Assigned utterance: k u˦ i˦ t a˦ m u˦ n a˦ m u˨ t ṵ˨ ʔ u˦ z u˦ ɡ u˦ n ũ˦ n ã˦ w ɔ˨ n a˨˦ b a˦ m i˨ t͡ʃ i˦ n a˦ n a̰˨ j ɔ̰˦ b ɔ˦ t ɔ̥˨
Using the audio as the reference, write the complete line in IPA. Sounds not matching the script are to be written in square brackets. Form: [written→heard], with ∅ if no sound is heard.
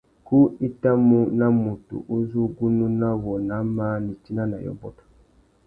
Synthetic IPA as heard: k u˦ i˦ t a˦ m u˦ n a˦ m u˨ t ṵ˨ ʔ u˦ z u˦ ɡ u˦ n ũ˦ n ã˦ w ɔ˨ n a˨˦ [b→m] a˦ [m→n] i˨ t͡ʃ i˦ n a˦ n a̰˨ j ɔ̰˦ b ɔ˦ t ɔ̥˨